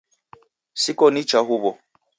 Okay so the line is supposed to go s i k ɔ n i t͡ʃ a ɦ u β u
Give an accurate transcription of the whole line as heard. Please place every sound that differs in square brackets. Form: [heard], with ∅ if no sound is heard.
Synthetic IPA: s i k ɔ n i t͡ʃ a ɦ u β [ɔ]